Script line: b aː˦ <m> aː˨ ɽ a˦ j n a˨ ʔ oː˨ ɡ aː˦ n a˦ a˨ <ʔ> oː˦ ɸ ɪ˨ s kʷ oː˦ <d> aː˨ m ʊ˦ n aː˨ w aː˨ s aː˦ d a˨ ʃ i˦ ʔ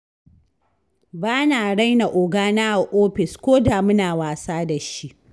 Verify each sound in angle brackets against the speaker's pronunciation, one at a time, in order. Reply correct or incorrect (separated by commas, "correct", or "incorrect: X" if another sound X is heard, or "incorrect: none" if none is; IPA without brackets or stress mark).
incorrect: n, correct, correct